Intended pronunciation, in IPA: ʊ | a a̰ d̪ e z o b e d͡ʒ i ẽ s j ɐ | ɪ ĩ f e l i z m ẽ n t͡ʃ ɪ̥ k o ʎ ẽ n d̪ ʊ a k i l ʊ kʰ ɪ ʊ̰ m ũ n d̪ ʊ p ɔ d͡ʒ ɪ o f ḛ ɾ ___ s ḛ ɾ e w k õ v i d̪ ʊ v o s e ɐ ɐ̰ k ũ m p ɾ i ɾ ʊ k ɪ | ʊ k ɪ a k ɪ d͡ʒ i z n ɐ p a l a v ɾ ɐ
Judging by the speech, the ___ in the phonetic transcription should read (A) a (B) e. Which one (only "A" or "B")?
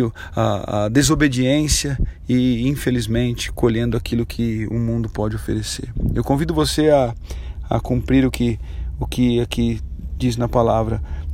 B